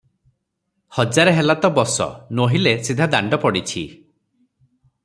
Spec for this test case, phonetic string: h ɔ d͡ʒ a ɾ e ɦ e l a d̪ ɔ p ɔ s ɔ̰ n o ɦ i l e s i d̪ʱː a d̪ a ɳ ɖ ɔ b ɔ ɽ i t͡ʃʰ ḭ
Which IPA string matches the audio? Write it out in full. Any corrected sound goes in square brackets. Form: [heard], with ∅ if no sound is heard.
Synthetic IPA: h ɔ d͡ʒ a ɾ e ɦ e l a [t̪] ɔ [b] ɔ s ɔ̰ n o ɦ i l e s i [d̪ʱ] a d̪ a ɳ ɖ ɔ [p] ɔ ɽ i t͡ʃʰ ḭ